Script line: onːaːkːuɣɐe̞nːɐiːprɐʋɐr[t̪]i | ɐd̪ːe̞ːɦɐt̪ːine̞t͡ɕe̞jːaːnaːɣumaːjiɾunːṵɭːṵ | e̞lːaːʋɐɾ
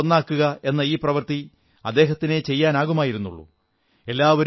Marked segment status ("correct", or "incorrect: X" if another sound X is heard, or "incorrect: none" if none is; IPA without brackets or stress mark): correct